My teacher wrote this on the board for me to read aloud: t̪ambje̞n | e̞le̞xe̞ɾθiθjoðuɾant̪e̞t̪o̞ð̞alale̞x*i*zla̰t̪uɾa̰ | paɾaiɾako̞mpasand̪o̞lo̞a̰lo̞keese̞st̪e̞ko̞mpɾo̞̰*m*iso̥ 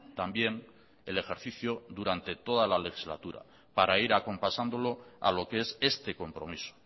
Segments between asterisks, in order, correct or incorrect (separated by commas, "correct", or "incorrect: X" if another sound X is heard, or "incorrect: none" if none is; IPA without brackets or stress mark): correct, correct